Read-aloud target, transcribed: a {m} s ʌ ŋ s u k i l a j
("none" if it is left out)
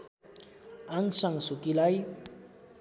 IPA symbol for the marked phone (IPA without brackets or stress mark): ŋ